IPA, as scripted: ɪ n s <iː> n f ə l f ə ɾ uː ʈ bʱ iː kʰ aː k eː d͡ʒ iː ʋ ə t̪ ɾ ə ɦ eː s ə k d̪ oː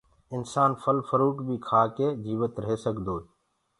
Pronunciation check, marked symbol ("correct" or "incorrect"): incorrect